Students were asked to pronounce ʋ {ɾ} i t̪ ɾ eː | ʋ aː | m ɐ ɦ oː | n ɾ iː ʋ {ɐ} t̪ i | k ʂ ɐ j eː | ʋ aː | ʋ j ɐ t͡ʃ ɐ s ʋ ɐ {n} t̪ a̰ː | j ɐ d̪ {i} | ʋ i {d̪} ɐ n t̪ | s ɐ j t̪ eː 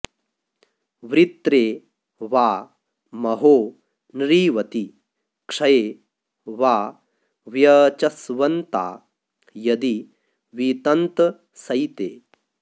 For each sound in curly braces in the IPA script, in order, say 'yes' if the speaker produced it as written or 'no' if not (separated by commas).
yes, yes, yes, yes, no